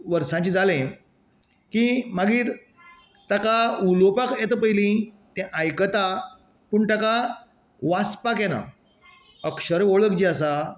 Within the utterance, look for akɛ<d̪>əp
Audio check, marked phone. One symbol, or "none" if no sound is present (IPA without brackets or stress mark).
t̪